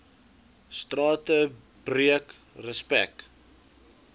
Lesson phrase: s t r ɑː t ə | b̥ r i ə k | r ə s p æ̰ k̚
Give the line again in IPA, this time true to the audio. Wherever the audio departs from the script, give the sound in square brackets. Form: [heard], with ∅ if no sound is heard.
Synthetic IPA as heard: s t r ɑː t ə | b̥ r i ə k | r ə s p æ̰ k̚